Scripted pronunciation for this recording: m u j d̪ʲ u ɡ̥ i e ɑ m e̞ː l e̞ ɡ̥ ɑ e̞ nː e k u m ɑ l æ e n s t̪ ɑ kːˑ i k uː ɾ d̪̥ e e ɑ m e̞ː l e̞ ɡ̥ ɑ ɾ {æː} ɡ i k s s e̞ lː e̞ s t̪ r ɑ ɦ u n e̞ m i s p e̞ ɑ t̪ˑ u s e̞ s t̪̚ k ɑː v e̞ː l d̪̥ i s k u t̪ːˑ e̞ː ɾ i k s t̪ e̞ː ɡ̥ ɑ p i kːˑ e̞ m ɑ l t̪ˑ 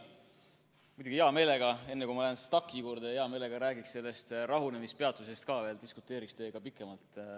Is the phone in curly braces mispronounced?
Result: no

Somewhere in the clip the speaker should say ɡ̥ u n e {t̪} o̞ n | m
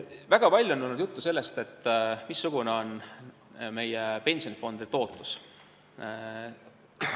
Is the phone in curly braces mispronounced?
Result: yes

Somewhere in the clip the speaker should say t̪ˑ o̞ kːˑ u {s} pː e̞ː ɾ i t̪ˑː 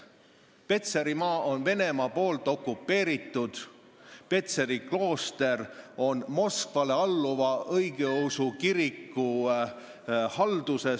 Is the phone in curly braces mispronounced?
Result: yes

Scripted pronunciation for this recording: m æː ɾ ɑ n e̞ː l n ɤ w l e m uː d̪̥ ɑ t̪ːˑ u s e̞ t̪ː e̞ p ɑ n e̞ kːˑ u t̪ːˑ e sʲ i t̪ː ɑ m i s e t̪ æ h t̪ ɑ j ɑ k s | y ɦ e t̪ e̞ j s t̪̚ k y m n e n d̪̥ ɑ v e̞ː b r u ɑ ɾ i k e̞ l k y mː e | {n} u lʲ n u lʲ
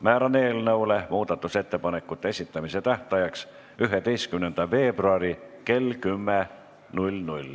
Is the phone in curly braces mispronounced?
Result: no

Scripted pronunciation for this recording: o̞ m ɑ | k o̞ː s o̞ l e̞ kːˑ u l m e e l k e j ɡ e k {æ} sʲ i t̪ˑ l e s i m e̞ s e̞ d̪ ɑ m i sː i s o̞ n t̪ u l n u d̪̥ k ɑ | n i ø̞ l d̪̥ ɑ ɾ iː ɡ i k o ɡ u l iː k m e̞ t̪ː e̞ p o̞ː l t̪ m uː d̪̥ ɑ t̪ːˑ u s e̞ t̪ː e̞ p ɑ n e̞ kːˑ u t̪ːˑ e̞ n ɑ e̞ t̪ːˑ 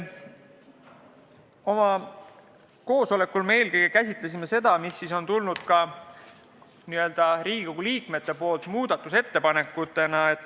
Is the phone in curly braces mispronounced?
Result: no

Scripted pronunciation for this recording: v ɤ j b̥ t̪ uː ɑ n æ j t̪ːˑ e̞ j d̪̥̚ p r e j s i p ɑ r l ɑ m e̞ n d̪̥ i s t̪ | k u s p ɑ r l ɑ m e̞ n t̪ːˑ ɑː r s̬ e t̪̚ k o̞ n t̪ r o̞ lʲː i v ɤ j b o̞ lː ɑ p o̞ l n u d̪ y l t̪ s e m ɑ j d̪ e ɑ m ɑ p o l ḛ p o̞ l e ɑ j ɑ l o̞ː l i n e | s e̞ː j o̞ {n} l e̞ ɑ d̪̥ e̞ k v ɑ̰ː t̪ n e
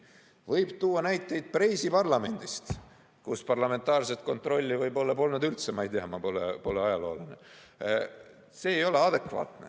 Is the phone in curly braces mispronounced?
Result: yes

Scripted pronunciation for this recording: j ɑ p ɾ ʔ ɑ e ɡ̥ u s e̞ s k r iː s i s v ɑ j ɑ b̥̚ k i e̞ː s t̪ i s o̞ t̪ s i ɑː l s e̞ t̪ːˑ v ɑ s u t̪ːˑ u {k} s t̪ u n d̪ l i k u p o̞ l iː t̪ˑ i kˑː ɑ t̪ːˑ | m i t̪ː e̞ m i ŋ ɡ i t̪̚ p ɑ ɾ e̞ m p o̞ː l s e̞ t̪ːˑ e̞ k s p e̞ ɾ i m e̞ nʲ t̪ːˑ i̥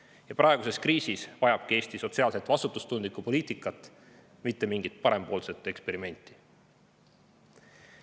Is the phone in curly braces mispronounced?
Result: yes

